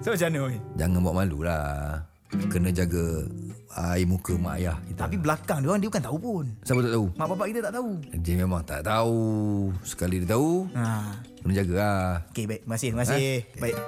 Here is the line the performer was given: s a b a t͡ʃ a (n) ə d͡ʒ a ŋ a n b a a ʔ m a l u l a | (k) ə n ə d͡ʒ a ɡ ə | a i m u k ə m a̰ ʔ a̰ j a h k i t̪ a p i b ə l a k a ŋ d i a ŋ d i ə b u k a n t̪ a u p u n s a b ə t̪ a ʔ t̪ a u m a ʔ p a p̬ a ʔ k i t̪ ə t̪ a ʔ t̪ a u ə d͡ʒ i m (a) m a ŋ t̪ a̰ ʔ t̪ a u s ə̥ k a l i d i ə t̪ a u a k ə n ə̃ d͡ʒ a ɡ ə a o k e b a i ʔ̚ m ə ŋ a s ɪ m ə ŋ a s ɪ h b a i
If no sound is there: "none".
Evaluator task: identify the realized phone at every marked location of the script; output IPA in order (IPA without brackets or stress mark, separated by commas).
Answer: n, k, e